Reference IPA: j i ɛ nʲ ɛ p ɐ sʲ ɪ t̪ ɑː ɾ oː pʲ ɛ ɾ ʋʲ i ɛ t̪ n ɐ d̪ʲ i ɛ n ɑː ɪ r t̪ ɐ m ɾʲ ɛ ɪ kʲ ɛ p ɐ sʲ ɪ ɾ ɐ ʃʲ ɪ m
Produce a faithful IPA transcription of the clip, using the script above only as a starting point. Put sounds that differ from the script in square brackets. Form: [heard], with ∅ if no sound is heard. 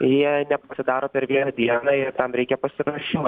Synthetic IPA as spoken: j i ɛ nʲ ɛ p ɐ sʲ ɪ [d̪] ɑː ɾ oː pʲ ɛ ɾ ʋʲ i ɛ [∅] n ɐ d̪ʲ i ɛ n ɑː ɪ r t̪ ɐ m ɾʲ ɛ ɪ kʲ ɛ p ɐ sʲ ɪ ɾ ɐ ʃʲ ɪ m